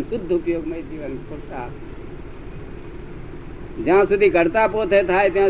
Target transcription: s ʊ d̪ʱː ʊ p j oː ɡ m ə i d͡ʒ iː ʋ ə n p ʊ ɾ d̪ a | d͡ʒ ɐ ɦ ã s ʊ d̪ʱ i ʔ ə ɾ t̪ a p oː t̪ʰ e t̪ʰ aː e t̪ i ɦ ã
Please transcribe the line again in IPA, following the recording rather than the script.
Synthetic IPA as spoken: s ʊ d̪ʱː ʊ p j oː ɡ m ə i d͡ʒ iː ʋ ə n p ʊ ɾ t̪ a | d͡ʒ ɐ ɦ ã s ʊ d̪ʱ i k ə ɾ t̪ a p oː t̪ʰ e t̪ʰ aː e t̪ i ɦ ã